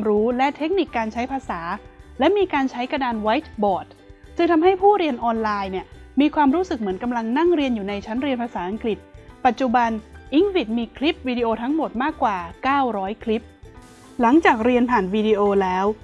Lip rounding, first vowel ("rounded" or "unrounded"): rounded